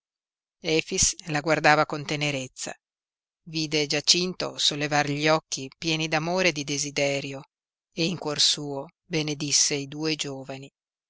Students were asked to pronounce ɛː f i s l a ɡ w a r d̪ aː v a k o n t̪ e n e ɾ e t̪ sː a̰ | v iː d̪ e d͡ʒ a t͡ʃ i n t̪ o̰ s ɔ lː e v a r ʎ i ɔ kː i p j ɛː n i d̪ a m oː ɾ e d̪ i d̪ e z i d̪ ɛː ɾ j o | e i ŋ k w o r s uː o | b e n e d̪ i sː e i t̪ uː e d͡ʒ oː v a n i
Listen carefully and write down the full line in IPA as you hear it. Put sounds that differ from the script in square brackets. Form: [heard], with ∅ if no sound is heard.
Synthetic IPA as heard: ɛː f i s l a ɡ w a r d̪ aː v a k o n t̪ e n e ɾ e t̪ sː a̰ | v iː d̪ e d͡ʒ a t͡ʃ i n t̪ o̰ s [o] lː e v a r ʎ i ɔ kː i p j ɛː n i d̪ a m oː ɾ e d̪ i d̪ e z i d̪ ɛː ɾ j o | e i ŋ k w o r s uː o | b e n e d̪ i sː e i [d̪] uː e d͡ʒ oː v a n i